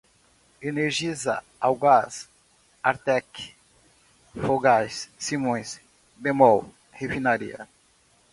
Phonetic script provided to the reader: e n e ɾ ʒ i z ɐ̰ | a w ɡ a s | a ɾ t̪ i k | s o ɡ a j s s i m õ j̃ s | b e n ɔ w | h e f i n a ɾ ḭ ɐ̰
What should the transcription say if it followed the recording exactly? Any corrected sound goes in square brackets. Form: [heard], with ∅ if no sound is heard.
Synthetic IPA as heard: e n e ɾ ʒ i z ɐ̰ | a w ɡ a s | a ɾ t̪ [ɛ] k | [f] o ɡ a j s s i m õ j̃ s | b e [m] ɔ w | h e f i n a ɾ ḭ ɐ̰